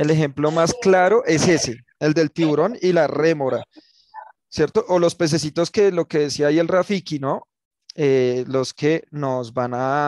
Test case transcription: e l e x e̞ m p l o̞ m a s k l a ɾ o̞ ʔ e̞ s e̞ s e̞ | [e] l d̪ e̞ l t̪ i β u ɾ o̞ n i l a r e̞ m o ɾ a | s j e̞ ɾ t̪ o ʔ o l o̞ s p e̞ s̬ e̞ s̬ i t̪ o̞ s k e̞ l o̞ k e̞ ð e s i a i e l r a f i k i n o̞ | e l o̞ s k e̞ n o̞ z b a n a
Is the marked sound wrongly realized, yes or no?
no